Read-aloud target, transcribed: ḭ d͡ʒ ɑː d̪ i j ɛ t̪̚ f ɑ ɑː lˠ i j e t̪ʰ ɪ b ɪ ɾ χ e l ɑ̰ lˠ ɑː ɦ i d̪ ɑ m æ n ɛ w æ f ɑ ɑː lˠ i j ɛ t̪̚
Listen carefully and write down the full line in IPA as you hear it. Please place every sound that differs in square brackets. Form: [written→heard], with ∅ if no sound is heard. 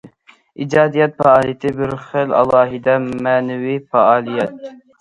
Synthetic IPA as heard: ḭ d͡ʒ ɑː d̪ i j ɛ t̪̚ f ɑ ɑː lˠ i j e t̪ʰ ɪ b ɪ ɾ χ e l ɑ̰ lˠ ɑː ɦ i d̪ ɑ m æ n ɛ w [æ→i] f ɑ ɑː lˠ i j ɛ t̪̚

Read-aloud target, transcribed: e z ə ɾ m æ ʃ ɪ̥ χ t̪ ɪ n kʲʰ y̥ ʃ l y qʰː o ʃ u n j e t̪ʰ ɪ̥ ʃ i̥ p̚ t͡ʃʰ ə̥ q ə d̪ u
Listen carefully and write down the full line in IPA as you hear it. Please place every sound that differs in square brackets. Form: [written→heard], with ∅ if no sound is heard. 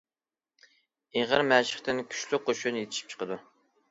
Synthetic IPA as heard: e [z→ʁ] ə ɾ m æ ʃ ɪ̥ χ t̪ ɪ n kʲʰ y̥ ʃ l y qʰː o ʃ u n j e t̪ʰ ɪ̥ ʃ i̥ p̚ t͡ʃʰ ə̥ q ə d̪ u

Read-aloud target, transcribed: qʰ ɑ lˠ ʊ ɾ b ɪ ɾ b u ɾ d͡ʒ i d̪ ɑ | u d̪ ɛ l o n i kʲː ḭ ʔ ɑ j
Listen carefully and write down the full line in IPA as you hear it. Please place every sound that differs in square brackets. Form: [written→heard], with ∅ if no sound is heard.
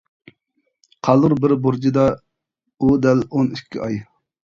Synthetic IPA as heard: qʰ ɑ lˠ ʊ ɾ b ɪ ɾ b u ɾ d͡ʒ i d̪ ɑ | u d̪ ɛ l o n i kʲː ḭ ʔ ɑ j

